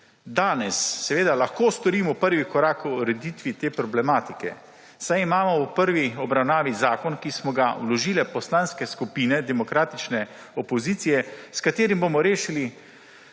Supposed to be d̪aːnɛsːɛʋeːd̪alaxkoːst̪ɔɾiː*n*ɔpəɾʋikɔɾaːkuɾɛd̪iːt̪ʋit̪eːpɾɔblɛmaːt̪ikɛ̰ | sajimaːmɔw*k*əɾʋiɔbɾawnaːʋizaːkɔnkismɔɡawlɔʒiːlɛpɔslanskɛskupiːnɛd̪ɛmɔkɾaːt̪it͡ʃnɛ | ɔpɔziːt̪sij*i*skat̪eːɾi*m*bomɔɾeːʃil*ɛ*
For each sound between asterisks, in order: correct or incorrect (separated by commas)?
incorrect, incorrect, incorrect, correct, incorrect